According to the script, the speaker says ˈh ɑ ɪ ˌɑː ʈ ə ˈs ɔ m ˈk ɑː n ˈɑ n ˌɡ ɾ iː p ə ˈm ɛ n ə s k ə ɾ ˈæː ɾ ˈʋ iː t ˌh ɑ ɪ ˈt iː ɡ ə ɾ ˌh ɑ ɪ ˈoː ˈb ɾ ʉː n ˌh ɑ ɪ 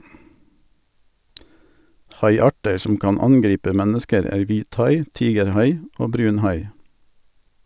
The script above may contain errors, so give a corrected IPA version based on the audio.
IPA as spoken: ˈh ɑ ɪ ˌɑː ʈ ə ˈs ɔ m ˈk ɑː n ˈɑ n ˌɡ ɾ iː p ə ˈm ɛ n ə s k ə ɾ ˈæː ɾ ˈʋ iː t ˌh ɑ ɪ ˈt iː ɡ ə ɾ ˌh ɑ ɪ ˈoː ˈb ɾ ʉː n ˌh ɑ ɪ